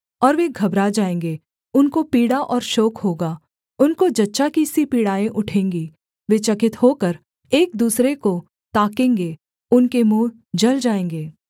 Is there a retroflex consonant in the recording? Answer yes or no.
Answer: yes